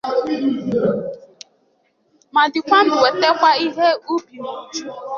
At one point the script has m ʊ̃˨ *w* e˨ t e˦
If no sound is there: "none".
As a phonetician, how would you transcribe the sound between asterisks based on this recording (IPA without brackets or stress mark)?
w